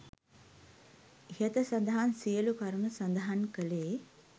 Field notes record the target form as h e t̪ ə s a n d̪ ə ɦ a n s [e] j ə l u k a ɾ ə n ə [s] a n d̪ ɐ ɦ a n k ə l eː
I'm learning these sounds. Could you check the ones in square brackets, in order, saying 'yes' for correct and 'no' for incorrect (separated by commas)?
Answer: no, yes